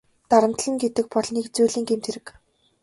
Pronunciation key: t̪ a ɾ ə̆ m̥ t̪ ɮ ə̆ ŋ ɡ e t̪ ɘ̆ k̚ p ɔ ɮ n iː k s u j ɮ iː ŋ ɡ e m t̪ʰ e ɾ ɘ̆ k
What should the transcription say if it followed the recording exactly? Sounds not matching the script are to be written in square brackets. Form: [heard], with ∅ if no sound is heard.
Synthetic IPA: t̪ a ɾ ə̆ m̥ t̪ ɮ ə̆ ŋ ɡ e t̪ ɘ̆ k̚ p ɔ ɮ n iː k [t͡s] u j ɮ iː ŋ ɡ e m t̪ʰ e ɾ ɘ̆ k